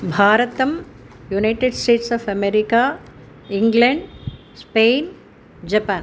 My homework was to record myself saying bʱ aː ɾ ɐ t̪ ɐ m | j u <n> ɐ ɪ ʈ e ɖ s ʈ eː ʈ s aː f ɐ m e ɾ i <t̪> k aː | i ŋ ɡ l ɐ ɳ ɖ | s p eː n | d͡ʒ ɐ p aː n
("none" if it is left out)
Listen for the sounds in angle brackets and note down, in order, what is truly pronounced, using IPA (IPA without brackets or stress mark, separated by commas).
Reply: n, none